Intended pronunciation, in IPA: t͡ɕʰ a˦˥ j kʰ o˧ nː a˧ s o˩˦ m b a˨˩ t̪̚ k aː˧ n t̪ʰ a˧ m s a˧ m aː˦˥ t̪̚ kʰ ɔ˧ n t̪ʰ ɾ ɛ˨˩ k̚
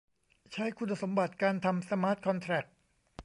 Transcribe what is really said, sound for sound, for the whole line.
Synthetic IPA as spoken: t͡ɕʰ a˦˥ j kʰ u˧ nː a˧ s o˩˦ m b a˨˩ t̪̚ k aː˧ n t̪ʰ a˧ m s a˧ m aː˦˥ t̪̚ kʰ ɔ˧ n t̪ʰ ɾ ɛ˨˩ k̚